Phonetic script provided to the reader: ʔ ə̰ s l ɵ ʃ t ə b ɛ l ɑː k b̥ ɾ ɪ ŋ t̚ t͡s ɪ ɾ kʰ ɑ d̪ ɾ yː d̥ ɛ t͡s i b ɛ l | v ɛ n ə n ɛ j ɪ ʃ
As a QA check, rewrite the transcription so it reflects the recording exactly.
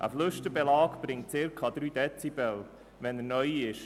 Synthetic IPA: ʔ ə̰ f l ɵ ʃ t ə b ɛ l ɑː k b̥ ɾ ɪ ŋ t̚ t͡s ɪ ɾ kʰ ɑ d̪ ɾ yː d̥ ɛ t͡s i b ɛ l | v ɛ n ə n œ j ɪ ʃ